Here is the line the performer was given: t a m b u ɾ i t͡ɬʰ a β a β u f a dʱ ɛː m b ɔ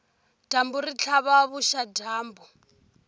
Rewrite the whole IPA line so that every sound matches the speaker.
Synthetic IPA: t a m b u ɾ i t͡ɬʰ a β a β u ʃ a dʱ aː m b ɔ